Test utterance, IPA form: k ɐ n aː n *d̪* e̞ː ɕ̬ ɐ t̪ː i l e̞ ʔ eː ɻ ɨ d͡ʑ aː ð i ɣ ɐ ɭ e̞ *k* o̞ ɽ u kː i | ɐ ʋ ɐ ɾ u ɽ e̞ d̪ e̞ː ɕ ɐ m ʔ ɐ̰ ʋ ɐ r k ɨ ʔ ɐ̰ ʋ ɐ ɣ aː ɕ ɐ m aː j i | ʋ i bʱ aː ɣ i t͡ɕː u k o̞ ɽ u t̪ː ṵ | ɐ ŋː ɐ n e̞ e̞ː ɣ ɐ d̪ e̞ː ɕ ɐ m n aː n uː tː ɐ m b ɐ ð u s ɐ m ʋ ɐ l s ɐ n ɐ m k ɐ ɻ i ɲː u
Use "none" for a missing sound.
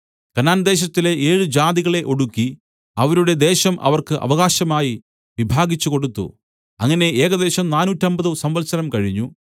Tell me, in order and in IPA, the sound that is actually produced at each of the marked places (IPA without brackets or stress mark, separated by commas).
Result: d̪, ʔ